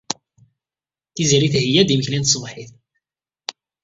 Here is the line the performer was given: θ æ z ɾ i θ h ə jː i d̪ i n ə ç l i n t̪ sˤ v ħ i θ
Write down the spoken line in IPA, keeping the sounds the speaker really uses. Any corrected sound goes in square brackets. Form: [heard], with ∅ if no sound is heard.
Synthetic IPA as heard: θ [i] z ɾ i θ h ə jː [æ] d̪ i [m] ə ç l i n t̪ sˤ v ħ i θ